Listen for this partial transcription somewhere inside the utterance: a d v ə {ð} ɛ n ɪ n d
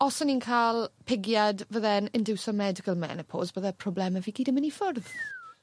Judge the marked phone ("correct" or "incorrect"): correct